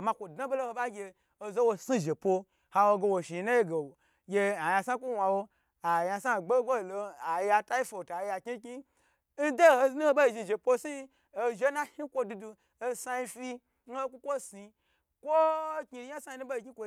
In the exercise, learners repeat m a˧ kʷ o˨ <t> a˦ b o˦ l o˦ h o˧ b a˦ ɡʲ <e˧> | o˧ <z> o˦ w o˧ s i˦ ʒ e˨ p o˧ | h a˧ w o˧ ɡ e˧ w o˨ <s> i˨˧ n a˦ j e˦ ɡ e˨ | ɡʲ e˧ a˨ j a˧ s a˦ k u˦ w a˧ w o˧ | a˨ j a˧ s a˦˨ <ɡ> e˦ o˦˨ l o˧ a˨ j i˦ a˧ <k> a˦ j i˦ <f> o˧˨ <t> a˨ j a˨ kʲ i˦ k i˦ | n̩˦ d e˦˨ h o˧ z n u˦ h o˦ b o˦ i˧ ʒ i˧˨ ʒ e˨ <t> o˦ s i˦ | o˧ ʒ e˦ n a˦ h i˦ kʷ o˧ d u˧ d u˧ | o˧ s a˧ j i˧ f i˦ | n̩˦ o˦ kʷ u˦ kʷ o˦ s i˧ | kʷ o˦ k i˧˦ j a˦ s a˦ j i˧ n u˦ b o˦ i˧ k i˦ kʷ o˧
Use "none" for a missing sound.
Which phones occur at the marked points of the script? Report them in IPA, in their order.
d, e˧, z, ʃ, ɡ͡b, t, f, t, p

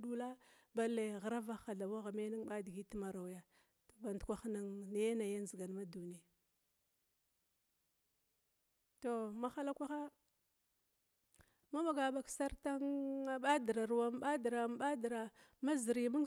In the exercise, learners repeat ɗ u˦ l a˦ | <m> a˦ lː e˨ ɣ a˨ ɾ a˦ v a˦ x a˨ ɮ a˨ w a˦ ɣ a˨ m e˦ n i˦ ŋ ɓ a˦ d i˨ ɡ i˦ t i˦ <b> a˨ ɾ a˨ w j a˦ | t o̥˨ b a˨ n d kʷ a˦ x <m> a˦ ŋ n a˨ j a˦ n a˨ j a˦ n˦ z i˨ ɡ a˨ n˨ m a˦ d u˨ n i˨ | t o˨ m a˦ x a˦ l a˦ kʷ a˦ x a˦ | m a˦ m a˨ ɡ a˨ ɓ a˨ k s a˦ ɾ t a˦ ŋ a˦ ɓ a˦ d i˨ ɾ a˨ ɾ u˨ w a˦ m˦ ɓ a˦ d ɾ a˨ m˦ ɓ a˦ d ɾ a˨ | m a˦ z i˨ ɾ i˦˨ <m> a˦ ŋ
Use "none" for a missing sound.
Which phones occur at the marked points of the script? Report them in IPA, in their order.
b, m, n, m

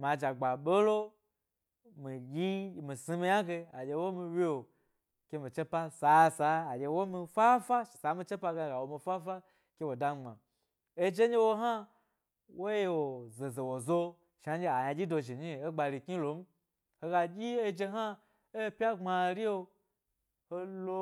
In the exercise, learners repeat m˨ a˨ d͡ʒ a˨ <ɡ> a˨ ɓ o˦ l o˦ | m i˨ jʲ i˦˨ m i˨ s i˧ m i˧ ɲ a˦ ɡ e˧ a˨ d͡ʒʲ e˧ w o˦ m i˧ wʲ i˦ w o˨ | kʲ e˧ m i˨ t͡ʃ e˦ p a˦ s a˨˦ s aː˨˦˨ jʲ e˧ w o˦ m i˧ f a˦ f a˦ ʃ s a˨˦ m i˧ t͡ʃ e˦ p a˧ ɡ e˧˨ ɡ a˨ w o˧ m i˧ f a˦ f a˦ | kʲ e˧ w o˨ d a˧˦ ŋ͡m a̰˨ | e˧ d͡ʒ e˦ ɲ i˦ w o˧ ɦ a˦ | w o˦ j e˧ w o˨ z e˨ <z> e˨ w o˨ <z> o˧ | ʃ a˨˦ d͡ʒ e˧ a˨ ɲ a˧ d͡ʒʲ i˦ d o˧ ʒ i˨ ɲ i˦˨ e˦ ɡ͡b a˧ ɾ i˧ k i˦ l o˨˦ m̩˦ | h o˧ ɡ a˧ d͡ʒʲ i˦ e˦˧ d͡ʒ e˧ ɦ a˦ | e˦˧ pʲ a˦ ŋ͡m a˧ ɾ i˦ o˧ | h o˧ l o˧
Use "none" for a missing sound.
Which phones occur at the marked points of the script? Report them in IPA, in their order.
ɡ͡b, z, z

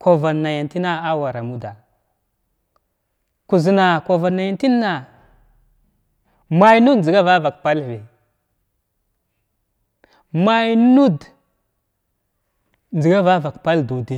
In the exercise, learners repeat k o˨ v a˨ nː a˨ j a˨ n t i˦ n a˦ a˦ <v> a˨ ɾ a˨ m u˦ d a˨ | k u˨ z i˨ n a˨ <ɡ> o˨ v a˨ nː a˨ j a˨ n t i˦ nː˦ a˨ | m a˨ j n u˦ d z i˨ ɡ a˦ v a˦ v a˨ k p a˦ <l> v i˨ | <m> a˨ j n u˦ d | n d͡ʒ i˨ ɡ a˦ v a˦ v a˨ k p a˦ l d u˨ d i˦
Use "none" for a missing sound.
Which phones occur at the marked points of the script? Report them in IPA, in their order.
w, k, l, m

